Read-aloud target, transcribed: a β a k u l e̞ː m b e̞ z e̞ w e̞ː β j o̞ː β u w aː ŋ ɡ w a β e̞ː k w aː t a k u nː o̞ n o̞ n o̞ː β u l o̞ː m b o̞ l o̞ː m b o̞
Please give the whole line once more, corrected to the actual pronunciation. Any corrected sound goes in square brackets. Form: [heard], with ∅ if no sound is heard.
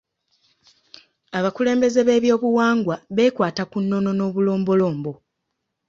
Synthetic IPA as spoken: a β a k u l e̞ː m b e̞ z e̞ [β] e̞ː β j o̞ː β u w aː ŋ ɡ w a β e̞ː k w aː t a k u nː o̞ n o̞ n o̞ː β u l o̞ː m b o̞ l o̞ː m b o̞